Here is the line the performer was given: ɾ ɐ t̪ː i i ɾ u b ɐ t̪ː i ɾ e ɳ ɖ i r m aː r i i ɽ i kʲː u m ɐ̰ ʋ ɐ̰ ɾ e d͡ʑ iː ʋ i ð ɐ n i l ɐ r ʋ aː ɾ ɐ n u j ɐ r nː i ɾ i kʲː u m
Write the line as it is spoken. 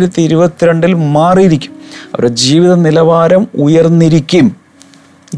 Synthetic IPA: ɾ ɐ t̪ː i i ɾ u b ɐ t̪ː i ɾ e ɳ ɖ i l m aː r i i ɾ i kʲː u m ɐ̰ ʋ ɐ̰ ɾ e d͡ʑ iː ʋ i ð ɐ n i l ɐ ʋ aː ɾ ɐ m u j ɐ r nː i ɾ i kʲː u m